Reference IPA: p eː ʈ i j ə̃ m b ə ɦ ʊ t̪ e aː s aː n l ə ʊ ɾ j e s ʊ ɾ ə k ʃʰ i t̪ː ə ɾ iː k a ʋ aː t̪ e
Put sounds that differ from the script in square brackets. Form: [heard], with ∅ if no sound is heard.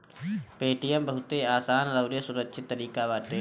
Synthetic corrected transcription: p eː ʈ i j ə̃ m b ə ɦ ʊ t̪ e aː s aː n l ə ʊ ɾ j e s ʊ ɾ ə k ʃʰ [ɪ] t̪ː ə ɾ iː k a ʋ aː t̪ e